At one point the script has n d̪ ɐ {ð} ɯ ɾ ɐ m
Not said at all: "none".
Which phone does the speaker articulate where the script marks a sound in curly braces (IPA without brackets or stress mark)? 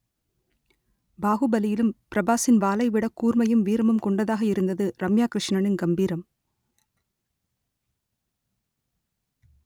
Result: ð